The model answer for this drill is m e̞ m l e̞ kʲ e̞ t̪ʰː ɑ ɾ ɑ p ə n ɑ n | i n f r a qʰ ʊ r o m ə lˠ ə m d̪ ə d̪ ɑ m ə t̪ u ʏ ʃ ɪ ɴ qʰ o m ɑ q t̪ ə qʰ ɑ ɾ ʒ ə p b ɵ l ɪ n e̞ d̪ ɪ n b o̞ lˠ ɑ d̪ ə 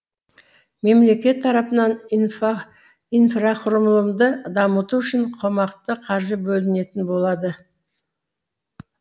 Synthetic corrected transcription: m e̞ m l e̞ kʲ e̞ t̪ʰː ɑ ɾ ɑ p ə n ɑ n | i n f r a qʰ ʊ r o m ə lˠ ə m d̪ ə d̪ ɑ m ə t̪ u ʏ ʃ ɪ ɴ qʰ o m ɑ q t̪ ə qʰ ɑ ɾ ʒ ə b ɵ l ɪ n e̞ t̪ ɪ n b o̞ lˠ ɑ d̪ ə